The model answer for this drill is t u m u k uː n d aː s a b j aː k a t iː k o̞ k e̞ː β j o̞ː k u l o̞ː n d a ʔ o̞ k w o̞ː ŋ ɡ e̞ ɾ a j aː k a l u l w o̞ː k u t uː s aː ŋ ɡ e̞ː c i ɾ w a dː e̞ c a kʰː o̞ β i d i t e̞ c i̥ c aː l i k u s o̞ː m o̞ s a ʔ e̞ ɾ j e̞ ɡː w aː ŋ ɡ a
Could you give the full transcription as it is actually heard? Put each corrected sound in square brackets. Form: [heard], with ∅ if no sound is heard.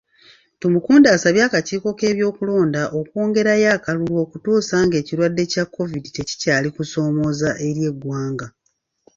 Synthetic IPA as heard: t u m u k uː n d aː s a [β] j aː k a [c] iː k o̞ k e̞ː β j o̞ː k u l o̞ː n d a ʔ o̞ k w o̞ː ŋ ɡ e̞ ɾ a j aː k a l u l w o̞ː k u t uː s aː ŋ ɡ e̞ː c i ɾ w a dː e̞ c a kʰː o̞ [v] i d i t e̞ c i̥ c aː l i k u s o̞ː m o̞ [z] a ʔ e̞ ɾ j e̞ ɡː w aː ŋ ɡ a